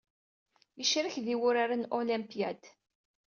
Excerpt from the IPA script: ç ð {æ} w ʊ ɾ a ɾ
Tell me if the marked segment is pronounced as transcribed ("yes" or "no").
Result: no